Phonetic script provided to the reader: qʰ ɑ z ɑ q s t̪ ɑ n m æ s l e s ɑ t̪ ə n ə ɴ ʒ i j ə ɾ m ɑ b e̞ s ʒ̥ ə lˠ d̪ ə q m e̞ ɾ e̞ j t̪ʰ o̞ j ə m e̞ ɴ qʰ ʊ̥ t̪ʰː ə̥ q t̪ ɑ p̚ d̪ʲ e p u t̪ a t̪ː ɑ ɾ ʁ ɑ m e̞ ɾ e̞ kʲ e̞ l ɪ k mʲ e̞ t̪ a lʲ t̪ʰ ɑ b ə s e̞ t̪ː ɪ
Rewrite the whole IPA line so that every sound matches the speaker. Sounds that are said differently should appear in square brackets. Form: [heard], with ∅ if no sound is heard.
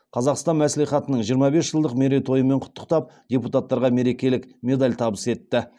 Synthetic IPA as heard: qʰ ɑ z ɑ q s t̪ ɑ n m æ s l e [χ] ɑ t̪ ə n ə ɴ ʒ i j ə ɾ m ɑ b e̞ s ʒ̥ ə lˠ d̪ ə q m e̞ ɾ e̞ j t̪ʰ o̞ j ə m e̞ ɴ qʰ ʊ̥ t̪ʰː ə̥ q t̪ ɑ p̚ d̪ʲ e p u t̪ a t̪ː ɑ ɾ ʁ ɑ m e̞ ɾ e̞ kʲ e̞ l ɪ k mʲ e̞ [d̪] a lʲ t̪ʰ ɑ b ə s e̞ t̪ː ɪ